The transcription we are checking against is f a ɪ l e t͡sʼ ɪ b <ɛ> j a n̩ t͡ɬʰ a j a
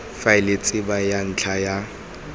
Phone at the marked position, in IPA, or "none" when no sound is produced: a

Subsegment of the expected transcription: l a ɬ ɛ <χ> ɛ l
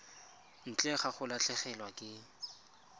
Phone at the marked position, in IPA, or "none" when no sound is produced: χ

